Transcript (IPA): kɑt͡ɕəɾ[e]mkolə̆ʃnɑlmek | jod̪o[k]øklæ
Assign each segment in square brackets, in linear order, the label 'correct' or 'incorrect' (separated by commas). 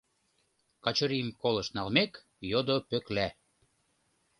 incorrect, incorrect